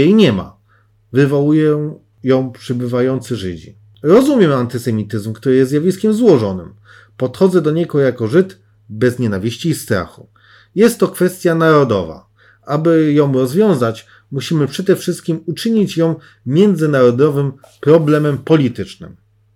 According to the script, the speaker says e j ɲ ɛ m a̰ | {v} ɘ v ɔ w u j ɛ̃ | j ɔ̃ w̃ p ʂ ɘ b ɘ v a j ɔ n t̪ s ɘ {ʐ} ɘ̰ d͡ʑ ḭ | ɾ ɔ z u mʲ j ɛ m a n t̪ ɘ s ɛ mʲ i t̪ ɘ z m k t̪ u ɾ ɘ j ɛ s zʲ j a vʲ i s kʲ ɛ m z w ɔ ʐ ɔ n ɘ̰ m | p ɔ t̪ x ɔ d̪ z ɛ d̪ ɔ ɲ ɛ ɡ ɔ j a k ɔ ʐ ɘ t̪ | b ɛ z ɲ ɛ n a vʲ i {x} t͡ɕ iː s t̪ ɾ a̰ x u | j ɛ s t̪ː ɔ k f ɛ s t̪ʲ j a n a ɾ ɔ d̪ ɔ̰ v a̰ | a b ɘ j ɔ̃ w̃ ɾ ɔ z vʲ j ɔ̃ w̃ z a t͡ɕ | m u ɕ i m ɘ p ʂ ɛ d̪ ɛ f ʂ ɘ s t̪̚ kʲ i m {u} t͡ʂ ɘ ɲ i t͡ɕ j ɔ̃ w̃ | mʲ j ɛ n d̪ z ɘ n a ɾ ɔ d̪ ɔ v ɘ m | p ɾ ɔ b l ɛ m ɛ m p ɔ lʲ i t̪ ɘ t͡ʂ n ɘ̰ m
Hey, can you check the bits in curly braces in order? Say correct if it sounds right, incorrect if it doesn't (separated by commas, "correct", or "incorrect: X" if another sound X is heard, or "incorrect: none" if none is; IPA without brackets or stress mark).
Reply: correct, correct, incorrect: ɕ, correct